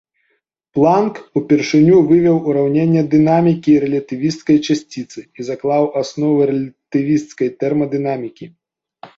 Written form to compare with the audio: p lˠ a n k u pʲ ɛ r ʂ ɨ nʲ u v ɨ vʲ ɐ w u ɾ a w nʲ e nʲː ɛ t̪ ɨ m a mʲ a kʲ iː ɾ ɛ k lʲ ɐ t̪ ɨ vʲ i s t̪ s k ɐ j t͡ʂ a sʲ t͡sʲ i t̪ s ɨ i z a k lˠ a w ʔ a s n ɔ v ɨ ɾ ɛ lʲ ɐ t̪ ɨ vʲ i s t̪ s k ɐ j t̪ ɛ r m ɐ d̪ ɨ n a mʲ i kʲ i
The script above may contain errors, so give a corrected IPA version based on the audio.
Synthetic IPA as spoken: p lˠ a n k u pʲ ɛ r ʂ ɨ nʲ u v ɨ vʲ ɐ w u ɾ a w nʲ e nʲː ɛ d̪ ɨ n a mʲ i kʲ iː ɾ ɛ lʲ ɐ t̪ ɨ vʲ i s t̪ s k ɐ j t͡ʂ a sʲ t͡sʲ i t̪ s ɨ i z a k lˠ a w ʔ a s n ɔ v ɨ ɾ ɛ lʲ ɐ t̪ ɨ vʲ i s t̪ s k ɐ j t̪ ɛ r m ɐ d̪ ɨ n a mʲ i kʲ i